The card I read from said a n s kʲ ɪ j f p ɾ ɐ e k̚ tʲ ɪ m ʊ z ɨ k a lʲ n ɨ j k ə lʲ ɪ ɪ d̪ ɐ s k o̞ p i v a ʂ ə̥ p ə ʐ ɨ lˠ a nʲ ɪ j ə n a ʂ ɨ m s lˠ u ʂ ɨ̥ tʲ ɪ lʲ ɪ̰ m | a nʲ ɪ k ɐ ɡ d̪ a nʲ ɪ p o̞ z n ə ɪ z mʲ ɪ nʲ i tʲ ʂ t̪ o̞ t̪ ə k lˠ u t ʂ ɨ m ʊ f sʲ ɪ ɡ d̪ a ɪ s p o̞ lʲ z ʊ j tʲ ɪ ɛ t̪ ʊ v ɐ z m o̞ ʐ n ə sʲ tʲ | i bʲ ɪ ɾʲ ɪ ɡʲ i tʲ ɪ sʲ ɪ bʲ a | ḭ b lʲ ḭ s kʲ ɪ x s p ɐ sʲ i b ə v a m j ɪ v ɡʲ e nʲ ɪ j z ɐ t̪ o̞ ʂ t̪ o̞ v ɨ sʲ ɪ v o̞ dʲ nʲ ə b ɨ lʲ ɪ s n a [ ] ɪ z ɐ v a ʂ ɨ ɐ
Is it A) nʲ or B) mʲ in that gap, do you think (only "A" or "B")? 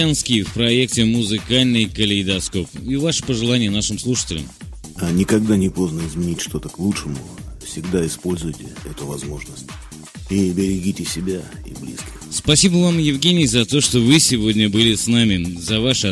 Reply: B